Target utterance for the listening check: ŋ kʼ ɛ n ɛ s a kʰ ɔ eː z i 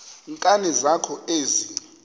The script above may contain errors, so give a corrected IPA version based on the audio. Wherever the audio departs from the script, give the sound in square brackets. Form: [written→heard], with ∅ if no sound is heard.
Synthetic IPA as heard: ŋ kʼ [ɛ→a] n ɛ [s→z] a kʰ ɔ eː z i